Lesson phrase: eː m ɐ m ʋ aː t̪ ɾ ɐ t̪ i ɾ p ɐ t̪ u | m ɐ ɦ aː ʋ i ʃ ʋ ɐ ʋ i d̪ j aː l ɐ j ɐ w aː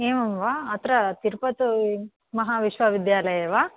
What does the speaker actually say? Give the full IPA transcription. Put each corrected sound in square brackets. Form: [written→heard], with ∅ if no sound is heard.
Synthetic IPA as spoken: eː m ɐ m ʋ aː t̪ ɾ ɐ t̪ i ɾ p ɐ t̪ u | m ɐ ɦ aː ʋ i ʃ ʋ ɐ ʋ i d̪ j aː l ɐ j ɐ [w→ʋ] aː